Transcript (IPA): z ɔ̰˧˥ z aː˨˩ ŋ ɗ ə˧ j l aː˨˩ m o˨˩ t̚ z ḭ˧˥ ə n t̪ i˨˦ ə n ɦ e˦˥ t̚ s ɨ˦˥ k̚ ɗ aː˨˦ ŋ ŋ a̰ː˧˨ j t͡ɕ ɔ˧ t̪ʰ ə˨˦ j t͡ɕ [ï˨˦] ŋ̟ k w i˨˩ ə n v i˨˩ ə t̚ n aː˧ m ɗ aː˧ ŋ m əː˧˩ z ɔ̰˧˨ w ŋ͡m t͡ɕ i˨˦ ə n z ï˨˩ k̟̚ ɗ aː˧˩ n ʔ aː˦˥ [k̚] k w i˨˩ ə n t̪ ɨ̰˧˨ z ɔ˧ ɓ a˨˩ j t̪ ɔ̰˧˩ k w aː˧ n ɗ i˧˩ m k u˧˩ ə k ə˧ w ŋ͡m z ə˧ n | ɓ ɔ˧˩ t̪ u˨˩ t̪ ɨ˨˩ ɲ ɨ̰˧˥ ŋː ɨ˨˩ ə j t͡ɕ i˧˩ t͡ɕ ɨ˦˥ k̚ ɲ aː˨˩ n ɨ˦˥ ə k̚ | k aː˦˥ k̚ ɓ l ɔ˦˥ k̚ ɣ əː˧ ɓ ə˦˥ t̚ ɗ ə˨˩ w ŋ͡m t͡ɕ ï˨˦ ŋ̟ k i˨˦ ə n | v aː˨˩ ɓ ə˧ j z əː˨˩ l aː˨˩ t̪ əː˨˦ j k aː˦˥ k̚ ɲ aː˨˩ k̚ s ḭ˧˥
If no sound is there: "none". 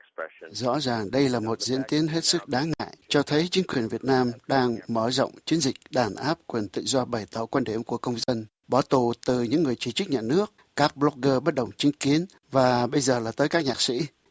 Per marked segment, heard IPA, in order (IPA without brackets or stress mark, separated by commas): ï˨˦, p̚